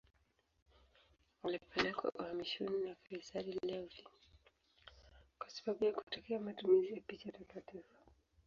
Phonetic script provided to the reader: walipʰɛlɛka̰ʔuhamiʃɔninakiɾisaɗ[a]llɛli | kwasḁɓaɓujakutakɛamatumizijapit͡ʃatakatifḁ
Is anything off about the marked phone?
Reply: yes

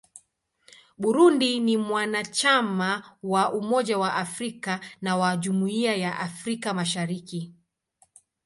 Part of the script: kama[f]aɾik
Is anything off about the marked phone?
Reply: yes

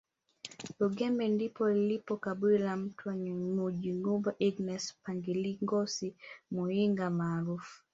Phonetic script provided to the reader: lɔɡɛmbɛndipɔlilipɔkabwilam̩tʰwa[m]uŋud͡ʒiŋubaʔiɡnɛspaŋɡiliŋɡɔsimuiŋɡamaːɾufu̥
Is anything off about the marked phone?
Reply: yes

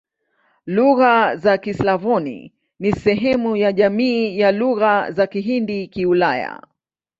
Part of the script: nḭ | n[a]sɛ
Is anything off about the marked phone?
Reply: yes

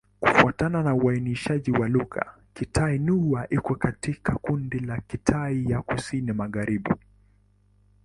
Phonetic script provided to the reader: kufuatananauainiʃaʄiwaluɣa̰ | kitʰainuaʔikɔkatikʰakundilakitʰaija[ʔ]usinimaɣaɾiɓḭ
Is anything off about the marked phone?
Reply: yes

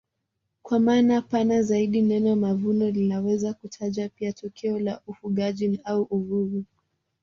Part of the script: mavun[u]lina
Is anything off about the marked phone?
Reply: yes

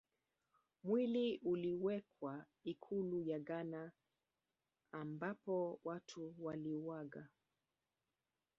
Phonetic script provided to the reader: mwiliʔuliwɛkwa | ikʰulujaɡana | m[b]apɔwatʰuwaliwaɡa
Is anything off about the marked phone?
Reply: no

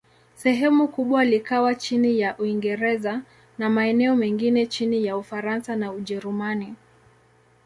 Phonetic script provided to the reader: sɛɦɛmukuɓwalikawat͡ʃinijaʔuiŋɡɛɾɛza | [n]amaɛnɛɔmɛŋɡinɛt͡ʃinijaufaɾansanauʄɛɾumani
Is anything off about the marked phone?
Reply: no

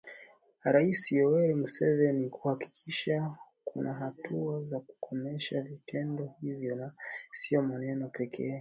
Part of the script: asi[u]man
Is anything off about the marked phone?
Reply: yes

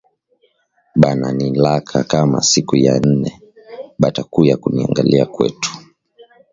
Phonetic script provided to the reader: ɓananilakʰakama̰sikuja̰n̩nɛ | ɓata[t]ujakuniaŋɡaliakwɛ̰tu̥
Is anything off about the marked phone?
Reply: yes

